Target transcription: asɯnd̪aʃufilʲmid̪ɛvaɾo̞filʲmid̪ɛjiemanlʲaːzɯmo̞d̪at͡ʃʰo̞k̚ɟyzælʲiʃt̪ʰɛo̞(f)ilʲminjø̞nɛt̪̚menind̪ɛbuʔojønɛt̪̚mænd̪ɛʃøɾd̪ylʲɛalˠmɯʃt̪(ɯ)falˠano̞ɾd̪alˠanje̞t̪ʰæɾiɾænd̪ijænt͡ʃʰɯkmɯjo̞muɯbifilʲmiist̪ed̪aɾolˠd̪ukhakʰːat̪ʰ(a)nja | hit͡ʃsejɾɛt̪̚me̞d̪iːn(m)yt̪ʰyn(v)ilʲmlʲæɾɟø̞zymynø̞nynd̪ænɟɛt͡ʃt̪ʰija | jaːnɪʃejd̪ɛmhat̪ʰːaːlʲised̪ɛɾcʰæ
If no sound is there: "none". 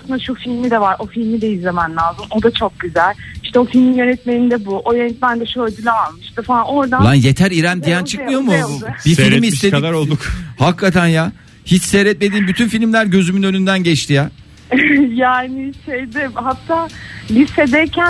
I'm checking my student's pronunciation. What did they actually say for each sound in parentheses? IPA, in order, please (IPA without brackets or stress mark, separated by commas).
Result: f, ɯ, æ, b, f